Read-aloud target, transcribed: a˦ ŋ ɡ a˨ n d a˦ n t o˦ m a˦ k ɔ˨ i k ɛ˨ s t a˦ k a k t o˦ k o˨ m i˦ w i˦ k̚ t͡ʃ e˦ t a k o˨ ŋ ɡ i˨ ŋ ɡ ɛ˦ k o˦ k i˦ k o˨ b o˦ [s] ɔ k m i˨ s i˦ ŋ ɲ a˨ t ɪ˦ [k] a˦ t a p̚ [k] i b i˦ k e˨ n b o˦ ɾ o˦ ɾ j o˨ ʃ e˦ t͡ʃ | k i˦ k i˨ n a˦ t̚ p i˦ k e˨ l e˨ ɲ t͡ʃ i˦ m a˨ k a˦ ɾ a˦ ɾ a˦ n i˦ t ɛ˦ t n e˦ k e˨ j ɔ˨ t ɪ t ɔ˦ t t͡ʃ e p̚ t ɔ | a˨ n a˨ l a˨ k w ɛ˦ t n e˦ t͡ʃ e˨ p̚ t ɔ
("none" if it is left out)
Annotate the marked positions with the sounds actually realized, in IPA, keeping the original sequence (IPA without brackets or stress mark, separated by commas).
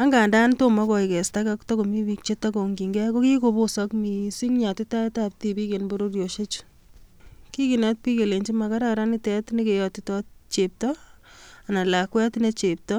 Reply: s, t, t